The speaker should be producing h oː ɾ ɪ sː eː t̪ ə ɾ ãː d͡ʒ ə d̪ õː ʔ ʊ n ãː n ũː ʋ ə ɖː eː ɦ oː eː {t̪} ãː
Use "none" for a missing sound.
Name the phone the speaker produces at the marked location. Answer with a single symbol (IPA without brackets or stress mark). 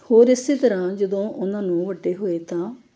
t̪